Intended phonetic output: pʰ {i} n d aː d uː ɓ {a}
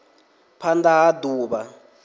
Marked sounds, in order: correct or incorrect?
incorrect: a, correct

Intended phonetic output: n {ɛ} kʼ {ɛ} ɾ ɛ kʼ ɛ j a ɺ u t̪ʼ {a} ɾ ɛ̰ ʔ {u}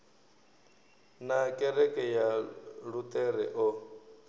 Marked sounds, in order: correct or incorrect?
incorrect: a, correct, incorrect: ɛ, incorrect: ɔ

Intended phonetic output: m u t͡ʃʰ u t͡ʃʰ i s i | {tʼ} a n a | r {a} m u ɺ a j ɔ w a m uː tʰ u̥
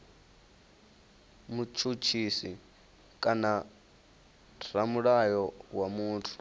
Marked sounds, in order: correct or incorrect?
incorrect: kʼ, correct

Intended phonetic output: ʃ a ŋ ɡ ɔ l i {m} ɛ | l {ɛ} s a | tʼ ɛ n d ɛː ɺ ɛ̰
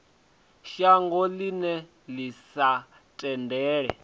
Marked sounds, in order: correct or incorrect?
incorrect: n, incorrect: i

